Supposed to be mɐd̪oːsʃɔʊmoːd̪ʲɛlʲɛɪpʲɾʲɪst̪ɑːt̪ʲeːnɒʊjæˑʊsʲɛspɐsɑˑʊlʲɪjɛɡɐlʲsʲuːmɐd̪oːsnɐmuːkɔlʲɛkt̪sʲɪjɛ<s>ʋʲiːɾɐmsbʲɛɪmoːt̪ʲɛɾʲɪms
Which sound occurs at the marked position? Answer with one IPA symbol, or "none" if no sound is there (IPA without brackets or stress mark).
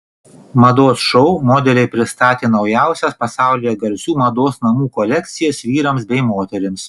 s